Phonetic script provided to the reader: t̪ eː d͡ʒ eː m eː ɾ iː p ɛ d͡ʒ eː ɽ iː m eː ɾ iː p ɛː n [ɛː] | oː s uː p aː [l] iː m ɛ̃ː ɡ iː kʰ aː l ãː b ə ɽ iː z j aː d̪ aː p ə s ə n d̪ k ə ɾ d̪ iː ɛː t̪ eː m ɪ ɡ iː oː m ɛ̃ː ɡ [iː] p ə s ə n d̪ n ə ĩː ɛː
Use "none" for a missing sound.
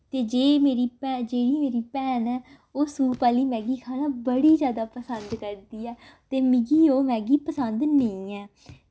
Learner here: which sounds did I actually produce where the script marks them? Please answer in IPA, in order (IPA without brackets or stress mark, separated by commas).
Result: ɛː, l, iː